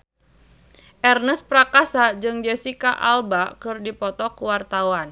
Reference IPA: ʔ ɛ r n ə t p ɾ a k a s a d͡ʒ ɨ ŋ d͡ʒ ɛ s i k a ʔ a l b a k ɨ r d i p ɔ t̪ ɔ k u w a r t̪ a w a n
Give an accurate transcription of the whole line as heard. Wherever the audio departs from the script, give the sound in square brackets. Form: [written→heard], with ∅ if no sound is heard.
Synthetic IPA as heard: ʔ ɛ r n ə [t→s] p ɾ a k a s a d͡ʒ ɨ ŋ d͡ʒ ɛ s i k a ʔ a l b a k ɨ r d i p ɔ t̪ ɔ k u w a r t̪ a w a n